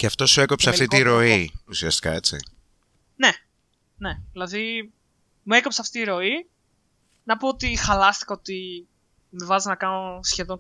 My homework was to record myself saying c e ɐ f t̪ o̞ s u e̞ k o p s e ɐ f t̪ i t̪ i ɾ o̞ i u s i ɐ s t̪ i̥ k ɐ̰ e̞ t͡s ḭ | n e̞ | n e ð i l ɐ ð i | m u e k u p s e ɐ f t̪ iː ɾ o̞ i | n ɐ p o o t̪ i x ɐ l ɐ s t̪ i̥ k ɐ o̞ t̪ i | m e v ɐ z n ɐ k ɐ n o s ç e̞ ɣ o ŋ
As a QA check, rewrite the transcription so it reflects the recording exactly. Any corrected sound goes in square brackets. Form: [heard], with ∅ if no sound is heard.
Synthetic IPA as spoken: c e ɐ f t̪ o̞ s u e̞ k o p s e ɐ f t̪ i t̪ i ɾ o̞ i u s i ɐ s t̪ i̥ k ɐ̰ e̞ t͡s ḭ | n e̞ | n e ð i l ɐ ð i | m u e k [o] p s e ɐ f t̪ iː ɾ o̞ i | n ɐ p o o t̪ i x ɐ l ɐ s t̪ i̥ k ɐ o̞ t̪ i | m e v ɐ z n ɐ k ɐ n o s ç e̞ [ð] o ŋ